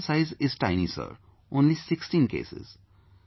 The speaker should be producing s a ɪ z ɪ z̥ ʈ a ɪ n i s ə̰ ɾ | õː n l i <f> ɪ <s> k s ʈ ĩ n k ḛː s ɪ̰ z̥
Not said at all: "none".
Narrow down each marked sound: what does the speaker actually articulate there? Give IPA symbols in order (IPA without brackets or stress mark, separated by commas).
s, none